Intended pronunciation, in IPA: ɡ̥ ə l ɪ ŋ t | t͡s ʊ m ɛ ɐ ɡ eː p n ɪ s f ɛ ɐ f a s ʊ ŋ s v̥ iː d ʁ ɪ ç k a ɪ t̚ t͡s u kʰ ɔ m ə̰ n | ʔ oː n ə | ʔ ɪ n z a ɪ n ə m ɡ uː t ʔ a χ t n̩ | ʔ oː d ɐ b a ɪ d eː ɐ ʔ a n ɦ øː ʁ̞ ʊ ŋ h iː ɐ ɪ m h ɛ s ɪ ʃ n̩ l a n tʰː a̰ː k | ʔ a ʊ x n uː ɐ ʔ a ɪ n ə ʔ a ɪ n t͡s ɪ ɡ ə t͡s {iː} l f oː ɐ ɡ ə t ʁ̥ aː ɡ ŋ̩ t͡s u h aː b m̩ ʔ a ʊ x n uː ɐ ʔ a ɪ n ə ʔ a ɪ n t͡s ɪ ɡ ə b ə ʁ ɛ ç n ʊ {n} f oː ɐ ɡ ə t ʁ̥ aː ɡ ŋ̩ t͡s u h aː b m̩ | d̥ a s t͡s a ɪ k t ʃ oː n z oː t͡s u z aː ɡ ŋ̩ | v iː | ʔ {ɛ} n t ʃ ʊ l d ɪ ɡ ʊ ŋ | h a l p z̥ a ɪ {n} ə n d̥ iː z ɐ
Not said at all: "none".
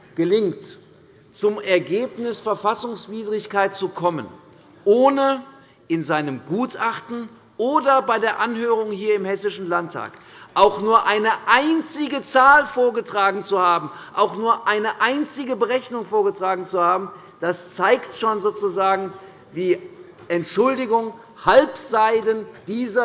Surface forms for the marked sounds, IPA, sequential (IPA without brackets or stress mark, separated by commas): aː, ŋ, ɛ, d